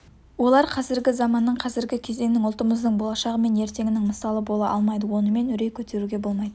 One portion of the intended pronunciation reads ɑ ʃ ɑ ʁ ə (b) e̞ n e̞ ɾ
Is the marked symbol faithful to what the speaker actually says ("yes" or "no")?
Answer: no